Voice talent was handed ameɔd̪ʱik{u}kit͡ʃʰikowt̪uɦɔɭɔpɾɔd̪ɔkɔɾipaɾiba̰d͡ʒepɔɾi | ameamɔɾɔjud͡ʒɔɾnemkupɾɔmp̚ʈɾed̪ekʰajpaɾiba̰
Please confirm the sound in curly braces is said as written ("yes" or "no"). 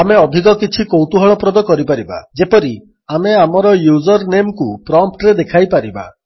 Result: no